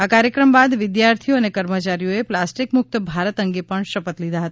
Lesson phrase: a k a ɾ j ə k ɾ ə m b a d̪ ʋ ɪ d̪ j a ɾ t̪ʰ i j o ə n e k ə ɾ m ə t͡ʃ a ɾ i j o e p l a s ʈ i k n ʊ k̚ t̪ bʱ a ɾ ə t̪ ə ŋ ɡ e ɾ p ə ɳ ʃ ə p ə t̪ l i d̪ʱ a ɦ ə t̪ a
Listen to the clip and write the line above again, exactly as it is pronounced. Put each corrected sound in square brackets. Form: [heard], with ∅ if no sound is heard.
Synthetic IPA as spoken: a k a ɾ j ə k ɾ ə m b a d̪ ʋ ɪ d̪ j a ɾ t̪ʰ i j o ə n e k ə ɾ m ə t͡ʃ a ɾ i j o e p l a s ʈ i k [m] ʊ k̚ t̪ bʱ a ɾ ə t̪ ə ŋ ɡ e [∅] p ə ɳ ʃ ə p ə t̪ l i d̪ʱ a ɦ ə t̪ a